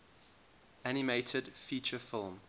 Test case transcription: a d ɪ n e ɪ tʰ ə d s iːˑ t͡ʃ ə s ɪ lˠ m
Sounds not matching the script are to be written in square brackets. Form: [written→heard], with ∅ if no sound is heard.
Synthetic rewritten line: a [d→n] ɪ [n→m] e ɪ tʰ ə d [s→f] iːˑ t͡ʃ ə [s→f] ɪ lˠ m